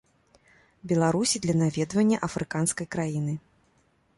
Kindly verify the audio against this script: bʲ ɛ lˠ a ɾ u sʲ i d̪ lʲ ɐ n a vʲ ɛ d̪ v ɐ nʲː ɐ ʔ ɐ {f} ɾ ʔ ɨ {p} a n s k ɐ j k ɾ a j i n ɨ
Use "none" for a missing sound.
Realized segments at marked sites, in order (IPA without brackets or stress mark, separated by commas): f, k